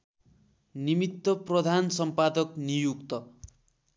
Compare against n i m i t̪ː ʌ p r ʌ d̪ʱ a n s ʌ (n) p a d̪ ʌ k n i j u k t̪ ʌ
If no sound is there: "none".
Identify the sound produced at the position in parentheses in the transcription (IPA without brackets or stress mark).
m